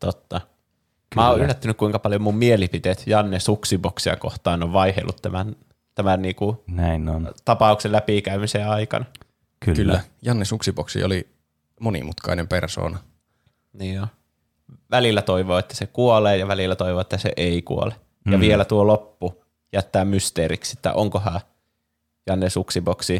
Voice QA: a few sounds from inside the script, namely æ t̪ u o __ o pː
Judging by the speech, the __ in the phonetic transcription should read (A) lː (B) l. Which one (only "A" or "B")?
B